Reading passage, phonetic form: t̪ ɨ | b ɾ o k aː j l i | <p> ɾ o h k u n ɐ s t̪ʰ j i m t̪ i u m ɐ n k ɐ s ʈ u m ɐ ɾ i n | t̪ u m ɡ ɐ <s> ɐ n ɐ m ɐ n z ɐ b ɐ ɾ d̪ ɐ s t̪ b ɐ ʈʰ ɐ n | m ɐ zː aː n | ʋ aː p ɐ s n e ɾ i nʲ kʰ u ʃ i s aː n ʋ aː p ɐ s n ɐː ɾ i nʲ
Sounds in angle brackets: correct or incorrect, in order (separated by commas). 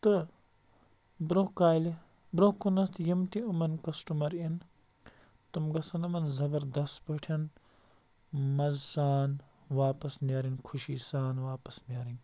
incorrect, correct